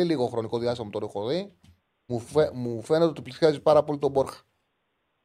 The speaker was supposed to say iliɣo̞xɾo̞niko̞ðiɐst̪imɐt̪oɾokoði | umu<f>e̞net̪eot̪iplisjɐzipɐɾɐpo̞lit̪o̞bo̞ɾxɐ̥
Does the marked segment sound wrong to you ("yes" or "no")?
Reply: no